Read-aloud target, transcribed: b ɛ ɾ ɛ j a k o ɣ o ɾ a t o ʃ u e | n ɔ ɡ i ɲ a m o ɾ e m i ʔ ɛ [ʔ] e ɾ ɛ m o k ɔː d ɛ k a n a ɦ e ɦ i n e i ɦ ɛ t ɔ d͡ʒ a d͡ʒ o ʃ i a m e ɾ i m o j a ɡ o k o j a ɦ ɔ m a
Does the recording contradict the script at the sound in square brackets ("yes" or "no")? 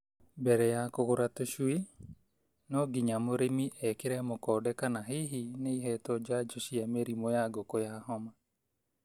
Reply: yes